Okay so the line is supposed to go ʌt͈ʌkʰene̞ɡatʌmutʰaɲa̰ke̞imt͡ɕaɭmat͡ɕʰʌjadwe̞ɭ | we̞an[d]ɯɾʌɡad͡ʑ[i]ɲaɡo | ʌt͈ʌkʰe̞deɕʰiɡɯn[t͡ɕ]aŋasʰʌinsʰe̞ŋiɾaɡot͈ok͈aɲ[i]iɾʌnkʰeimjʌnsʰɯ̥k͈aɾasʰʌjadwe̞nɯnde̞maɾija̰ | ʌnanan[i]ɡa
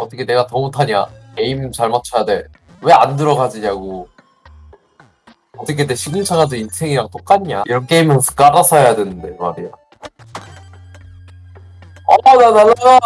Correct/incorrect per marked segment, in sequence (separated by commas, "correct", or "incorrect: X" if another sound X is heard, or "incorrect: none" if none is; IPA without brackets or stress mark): correct, correct, incorrect: t͡ɕʰ, incorrect: a, incorrect: a